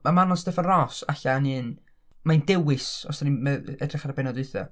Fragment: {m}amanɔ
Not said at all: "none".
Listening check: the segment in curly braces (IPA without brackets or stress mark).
m